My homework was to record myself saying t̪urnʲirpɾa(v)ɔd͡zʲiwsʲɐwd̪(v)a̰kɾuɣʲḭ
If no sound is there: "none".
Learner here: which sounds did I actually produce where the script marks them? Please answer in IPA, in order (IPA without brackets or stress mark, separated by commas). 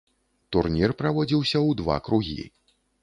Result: v, v